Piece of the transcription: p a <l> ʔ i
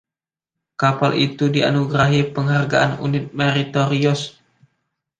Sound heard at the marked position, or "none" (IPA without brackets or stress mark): l